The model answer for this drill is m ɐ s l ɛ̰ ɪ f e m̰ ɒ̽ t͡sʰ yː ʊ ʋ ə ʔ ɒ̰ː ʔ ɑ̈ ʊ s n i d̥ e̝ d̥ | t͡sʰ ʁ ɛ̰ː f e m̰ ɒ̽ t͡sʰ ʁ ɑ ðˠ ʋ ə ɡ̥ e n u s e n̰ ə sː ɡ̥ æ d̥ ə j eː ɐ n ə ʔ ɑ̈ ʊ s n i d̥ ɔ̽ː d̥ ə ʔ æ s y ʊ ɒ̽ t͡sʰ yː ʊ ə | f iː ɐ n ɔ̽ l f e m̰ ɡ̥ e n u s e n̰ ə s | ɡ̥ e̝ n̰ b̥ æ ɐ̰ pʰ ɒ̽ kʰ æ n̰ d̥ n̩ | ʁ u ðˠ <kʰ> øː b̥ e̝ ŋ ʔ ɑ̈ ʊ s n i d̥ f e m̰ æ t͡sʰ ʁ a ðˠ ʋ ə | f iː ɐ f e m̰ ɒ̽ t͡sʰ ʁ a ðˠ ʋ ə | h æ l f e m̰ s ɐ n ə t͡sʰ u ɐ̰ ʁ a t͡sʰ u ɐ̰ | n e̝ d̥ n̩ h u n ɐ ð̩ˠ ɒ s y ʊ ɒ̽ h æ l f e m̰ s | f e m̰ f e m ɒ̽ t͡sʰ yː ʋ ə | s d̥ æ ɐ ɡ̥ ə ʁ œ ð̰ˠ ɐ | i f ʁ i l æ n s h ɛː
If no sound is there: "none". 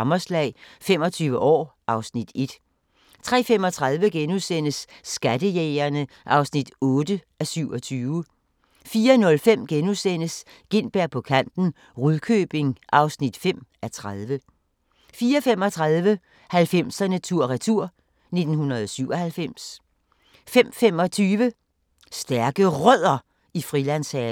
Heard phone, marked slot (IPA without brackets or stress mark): kʰ